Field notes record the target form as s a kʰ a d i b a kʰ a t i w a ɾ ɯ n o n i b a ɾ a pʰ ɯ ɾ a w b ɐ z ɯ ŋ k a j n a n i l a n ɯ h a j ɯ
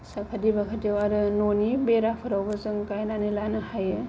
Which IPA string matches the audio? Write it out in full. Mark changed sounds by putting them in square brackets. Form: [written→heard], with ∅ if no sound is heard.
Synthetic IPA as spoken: s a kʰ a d i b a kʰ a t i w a ɾ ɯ n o n i b [a→e] ɾ a pʰ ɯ ɾ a w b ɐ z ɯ ŋ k a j n a n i l a n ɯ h a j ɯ